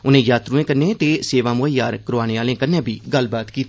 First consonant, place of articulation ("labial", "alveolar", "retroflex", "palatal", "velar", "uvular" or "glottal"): alveolar